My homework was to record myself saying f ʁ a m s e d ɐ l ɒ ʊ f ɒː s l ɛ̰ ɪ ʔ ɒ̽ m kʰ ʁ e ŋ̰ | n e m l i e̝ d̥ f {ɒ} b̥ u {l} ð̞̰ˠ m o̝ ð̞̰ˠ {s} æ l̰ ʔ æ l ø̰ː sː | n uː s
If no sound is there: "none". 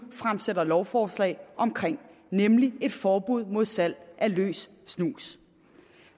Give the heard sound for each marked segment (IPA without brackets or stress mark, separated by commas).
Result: ɒː, none, s